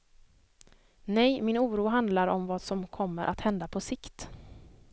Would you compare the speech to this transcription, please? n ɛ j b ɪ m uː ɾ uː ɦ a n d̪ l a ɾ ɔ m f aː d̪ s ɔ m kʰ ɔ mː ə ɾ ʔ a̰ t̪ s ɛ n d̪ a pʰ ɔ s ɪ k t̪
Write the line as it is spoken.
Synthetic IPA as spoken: n ɛ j m ɪ n uː ɾ uː ɦ a n d̪ l a ɾ ɔ m v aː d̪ s ɔ m kʰ ɔ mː ə ɾ ʔ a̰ t̪ h ɛ n d̪ a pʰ ɔ s ɪ k t̪